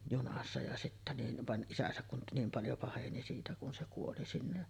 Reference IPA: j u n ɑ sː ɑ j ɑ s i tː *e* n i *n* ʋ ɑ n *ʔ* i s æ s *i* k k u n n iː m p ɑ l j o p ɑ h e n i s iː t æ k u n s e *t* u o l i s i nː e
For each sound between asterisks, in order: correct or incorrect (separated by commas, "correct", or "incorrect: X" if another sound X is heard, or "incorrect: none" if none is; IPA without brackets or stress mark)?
incorrect: æ, correct, correct, incorrect: æ, incorrect: k